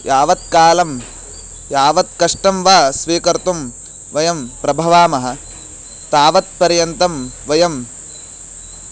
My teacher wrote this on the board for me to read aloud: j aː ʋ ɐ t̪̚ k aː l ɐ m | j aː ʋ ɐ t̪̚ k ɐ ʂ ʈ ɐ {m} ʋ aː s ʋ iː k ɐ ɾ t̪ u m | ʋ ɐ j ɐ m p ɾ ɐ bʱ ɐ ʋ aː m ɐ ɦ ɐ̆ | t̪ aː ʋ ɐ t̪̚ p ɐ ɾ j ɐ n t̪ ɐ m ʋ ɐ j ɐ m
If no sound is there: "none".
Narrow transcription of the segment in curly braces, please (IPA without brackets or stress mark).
m